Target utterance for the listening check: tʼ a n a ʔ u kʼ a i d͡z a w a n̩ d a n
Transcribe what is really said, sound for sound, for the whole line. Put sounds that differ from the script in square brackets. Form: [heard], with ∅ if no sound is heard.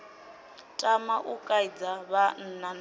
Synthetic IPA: tʼ a [m] a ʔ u kʼ a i d͡z a [β] a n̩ [n] a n